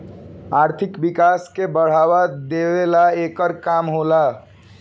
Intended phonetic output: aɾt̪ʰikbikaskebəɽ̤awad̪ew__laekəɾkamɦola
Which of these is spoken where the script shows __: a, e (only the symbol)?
e